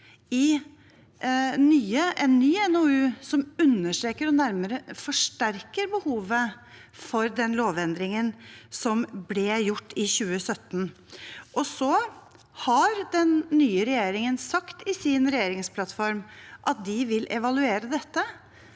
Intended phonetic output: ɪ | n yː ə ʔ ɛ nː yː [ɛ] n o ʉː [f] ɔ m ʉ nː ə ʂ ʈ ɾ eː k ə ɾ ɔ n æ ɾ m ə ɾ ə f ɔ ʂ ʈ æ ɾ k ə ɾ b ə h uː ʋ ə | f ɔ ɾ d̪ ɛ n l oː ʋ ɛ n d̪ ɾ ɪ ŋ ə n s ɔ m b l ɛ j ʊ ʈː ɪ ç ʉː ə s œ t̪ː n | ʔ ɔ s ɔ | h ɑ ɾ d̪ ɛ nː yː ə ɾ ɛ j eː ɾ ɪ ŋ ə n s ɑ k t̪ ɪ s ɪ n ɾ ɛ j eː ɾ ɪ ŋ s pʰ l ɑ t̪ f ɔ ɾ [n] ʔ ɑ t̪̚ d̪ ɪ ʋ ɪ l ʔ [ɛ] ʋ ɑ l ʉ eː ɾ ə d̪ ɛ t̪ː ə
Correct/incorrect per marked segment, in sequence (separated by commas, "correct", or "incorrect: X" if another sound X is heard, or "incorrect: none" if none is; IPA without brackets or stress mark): correct, incorrect: s, incorrect: m, correct